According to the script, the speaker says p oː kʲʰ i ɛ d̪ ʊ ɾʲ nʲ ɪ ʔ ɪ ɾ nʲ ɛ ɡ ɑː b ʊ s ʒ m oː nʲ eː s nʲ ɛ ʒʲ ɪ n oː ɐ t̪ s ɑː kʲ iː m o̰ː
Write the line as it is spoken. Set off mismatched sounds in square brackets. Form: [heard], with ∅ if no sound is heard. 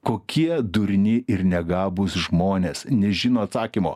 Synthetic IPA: [k] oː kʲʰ i ɛ d̪ ʊ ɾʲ nʲ ɪ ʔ ɪ ɾ nʲ ɛ ɡ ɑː b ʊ s ʒ m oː nʲ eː s nʲ ɛ ʒʲ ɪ n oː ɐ t̪ s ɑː kʲ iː m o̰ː